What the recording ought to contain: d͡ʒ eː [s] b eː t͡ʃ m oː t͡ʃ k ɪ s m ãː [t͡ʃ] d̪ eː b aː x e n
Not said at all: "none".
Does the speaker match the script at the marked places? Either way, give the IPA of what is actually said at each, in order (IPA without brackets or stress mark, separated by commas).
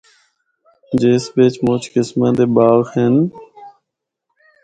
s, none